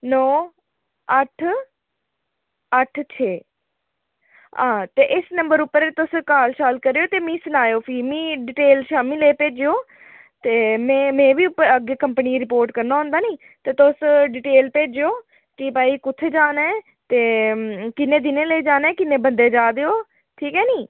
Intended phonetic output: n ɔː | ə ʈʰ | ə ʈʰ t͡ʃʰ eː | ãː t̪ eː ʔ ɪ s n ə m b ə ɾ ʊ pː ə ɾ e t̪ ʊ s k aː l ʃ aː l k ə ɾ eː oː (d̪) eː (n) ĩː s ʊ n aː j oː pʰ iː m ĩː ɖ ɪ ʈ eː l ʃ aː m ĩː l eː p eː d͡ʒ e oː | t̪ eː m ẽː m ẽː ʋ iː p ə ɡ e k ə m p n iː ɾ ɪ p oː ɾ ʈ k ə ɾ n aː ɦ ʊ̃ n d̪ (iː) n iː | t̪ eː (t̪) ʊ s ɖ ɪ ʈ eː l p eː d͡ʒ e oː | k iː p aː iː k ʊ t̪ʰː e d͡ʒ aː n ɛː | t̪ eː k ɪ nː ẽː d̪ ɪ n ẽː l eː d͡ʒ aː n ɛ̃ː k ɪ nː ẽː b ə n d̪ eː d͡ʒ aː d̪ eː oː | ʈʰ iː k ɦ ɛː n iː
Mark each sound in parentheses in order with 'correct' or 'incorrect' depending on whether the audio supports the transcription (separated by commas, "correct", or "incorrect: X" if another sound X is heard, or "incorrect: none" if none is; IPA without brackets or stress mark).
incorrect: t̪, incorrect: m, incorrect: aː, correct